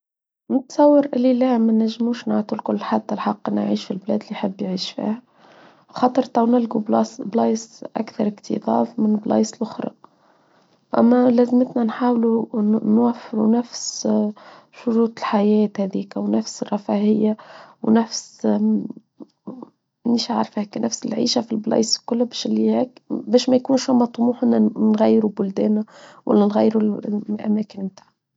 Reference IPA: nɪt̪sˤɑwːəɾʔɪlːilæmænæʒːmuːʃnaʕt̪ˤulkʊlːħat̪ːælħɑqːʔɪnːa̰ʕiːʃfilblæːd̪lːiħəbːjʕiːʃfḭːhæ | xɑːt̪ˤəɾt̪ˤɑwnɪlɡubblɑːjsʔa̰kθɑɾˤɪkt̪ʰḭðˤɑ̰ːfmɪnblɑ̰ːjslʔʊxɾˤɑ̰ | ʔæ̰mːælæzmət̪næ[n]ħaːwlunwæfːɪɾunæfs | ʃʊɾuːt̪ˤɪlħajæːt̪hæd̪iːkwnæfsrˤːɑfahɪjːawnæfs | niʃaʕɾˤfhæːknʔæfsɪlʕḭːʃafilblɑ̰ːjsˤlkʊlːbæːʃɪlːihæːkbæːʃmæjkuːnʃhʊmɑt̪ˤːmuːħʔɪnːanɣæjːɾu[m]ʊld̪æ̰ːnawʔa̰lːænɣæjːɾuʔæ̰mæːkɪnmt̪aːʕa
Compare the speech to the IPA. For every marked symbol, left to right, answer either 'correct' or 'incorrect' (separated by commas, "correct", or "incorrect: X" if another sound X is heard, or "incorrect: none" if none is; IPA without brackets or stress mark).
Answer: correct, incorrect: b